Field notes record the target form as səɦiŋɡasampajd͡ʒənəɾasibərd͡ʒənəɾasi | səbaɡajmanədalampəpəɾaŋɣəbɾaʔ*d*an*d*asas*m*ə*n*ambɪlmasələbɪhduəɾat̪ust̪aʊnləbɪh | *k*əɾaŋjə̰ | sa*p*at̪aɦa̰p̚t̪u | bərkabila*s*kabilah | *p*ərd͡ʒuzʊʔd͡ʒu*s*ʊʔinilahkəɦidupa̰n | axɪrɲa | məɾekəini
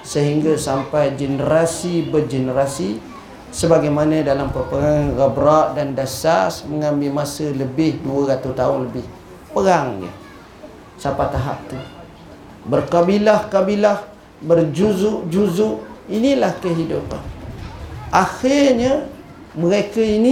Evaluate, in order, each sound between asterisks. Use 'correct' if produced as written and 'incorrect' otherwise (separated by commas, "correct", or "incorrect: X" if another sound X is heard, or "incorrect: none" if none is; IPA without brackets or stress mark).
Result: correct, correct, correct, incorrect: ŋ, incorrect: p, correct, incorrect: h, incorrect: b, incorrect: z